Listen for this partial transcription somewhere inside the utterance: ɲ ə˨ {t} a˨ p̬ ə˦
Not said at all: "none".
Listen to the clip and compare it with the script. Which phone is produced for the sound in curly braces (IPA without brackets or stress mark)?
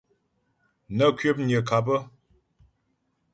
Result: k